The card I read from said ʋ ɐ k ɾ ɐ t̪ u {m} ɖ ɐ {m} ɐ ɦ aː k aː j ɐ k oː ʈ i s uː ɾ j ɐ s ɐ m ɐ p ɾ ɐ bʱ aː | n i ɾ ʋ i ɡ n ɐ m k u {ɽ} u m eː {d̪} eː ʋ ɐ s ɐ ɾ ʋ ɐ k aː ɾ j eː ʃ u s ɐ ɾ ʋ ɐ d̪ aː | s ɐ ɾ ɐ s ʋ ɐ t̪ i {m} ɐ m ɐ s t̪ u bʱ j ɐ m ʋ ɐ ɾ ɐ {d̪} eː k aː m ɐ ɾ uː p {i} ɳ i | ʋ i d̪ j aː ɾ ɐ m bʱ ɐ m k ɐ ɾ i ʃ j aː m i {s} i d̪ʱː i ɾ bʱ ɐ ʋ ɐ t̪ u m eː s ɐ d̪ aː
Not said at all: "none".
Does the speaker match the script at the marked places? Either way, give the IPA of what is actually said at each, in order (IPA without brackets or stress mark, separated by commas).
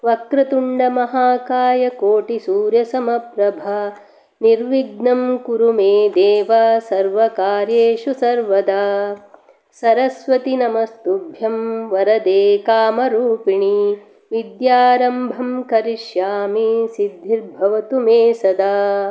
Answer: ɳ, m, ɾ, d̪, n, d̪, i, s